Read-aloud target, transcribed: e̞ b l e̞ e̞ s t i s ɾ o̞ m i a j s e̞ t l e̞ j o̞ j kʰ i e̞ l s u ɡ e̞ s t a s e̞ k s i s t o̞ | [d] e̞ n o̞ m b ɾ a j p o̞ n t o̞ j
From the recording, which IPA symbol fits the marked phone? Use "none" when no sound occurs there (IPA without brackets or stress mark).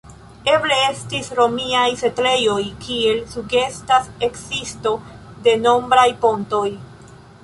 d